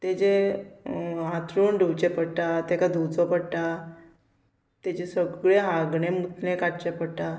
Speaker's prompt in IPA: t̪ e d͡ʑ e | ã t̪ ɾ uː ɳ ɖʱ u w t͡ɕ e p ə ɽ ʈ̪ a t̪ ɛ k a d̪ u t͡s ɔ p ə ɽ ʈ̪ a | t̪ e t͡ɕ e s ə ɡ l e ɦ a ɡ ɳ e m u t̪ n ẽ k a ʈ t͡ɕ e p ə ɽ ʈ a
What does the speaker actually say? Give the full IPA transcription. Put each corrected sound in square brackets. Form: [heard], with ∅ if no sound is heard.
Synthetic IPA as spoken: t̪ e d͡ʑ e | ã t̪ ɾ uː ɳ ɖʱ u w t͡ɕ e p ə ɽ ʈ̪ a t̪ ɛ k a d̪ u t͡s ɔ p ə ɽ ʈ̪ a | t̪ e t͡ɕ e s ə ɡ [ɭ] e ɦ a ɡ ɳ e m u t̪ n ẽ k a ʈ t͡ɕ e p ə ɽ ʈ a